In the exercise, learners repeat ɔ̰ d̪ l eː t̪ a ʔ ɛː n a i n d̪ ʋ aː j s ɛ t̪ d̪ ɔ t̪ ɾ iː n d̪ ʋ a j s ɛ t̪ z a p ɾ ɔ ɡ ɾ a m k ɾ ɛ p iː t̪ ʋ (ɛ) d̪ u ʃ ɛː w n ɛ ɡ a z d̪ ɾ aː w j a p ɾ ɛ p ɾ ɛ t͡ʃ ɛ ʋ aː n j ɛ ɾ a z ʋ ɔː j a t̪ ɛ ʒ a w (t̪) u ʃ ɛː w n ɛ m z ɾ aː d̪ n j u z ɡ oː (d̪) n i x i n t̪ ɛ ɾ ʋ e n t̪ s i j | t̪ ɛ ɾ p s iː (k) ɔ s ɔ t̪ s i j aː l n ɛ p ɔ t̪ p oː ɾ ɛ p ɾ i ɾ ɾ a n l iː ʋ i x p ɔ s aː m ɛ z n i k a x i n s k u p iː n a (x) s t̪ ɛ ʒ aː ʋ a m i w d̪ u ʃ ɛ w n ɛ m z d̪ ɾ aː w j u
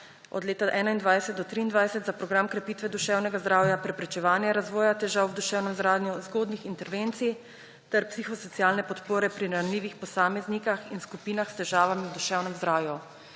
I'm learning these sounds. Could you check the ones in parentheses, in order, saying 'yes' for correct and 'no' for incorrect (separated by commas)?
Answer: yes, no, yes, no, yes